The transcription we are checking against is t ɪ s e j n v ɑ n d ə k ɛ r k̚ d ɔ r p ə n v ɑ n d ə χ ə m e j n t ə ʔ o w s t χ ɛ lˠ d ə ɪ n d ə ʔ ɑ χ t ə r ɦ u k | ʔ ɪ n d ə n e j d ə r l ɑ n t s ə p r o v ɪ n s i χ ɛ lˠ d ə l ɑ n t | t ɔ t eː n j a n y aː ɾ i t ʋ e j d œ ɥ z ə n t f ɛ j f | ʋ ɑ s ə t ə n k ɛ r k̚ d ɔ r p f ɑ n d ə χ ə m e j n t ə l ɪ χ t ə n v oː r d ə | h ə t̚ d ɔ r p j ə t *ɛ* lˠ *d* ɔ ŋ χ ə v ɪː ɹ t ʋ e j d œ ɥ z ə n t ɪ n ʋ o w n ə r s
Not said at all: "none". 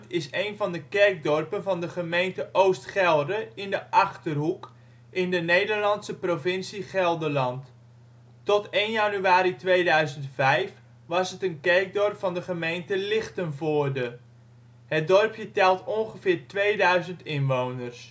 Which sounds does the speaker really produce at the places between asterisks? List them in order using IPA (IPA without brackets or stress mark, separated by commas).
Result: ɛ, t